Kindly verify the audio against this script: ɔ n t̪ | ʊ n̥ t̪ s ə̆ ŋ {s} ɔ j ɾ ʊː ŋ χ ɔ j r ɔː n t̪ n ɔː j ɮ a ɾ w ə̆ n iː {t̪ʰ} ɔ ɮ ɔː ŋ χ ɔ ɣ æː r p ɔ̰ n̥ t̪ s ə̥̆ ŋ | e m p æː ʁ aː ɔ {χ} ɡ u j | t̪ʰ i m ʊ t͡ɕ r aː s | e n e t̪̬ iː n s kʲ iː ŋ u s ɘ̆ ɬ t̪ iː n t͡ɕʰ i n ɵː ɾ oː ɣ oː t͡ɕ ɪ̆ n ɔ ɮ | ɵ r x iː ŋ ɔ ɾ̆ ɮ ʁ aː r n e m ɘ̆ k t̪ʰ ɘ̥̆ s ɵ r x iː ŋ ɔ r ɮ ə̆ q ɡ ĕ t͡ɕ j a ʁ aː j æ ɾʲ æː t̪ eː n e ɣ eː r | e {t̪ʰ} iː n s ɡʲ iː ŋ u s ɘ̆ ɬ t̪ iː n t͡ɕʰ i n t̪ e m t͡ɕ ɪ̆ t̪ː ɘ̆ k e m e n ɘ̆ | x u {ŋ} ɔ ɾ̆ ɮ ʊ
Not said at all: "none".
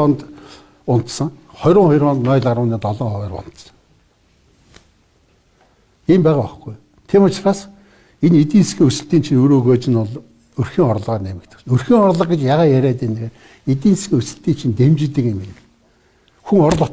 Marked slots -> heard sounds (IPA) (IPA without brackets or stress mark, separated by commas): χ, t̪, χ, t̪, ŋ